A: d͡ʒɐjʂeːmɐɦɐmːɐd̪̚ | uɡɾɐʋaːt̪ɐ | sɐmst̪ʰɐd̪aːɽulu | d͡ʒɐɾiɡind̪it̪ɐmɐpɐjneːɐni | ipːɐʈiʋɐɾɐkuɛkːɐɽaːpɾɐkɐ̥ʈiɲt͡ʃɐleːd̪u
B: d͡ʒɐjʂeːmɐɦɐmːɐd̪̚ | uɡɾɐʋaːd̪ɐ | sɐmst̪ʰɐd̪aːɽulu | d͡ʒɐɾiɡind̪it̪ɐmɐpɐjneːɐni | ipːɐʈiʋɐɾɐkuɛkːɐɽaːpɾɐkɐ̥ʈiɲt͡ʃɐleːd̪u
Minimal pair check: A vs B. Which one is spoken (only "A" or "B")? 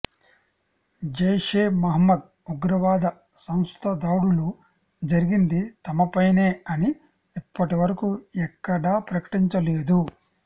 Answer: B